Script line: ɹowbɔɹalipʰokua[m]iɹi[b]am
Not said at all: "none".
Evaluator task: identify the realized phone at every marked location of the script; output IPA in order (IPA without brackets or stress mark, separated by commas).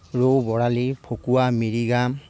m, ɡ